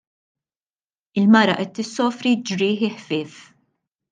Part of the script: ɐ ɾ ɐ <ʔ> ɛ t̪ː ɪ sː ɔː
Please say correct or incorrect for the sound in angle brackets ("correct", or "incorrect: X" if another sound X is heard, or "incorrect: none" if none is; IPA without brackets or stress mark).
correct